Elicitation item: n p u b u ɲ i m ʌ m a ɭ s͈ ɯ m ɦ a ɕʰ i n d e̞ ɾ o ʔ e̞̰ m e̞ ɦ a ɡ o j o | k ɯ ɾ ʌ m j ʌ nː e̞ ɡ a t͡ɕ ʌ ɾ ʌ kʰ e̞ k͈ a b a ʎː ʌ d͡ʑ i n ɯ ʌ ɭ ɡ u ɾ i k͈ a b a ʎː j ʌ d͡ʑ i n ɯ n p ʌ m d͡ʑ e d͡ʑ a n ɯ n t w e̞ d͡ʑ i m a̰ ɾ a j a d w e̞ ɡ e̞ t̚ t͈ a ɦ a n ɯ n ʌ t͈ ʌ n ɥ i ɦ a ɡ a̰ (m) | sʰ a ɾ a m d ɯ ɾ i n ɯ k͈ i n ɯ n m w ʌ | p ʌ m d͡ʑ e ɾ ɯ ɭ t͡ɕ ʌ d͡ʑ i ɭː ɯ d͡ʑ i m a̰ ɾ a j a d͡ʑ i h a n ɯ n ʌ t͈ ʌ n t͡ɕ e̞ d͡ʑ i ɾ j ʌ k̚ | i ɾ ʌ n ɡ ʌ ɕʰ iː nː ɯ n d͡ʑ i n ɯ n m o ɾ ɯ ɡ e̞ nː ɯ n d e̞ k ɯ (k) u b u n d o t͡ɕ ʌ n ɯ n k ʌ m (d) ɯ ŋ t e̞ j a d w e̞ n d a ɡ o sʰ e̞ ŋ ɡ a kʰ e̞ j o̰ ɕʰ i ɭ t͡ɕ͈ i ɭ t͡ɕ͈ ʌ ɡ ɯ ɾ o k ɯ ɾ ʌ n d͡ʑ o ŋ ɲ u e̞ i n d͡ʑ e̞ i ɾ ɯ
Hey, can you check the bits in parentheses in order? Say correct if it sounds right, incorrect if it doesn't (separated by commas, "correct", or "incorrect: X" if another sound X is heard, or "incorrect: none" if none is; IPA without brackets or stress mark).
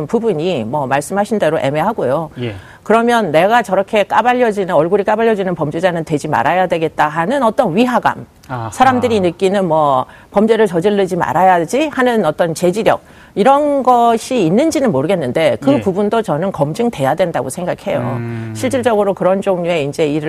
correct, incorrect: p, incorrect: d͡ʑ